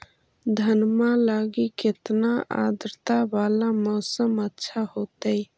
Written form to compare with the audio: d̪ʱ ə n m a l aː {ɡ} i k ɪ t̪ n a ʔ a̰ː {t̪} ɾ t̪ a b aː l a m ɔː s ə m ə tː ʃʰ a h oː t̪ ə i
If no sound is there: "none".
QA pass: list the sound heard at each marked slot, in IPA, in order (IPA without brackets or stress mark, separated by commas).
ɡ, d̪